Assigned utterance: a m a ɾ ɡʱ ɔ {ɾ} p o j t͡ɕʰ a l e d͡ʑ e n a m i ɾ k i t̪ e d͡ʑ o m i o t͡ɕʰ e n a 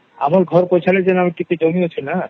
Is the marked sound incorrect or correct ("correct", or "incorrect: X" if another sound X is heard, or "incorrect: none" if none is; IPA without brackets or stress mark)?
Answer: correct